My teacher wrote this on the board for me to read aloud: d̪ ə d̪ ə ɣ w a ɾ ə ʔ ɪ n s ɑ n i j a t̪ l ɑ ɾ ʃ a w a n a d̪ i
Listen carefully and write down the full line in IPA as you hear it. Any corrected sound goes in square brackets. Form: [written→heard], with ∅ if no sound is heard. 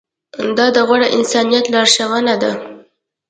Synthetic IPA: d̪ [ə→ɑ] d̪ ə ɣ w a [ɾ→ɽ] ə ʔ ɪ n s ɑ n i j a t̪ l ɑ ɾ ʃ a w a n a d̪ [i→a]